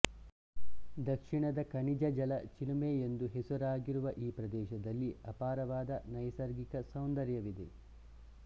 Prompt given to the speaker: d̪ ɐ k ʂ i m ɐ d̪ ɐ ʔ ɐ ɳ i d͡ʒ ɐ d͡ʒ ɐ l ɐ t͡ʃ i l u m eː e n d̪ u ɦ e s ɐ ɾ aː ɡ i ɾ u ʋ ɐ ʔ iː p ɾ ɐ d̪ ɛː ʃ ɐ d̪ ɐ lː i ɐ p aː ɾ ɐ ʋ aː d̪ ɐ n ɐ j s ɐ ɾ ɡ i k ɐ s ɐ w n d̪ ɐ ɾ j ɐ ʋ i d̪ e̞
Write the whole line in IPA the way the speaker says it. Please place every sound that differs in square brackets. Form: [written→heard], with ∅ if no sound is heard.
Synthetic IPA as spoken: d̪ ɐ k ʂ i [m→ɳ] ɐ d̪ ɐ [ʔ→k] ɐ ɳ i d͡ʒ ɐ d͡ʒ ɐ l ɐ t͡ʃ i l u m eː e n d̪ u ɦ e s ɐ ɾ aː ɡ i ɾ u ʋ ɐ ʔ iː p ɾ ɐ d̪ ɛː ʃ ɐ d̪ ɐ lː i ɐ p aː ɾ ɐ ʋ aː d̪ ɐ n ɐ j s ɐ ɾ ɡ i k ɐ s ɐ w n d̪ ɐ ɾ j ɐ ʋ i d̪ e̞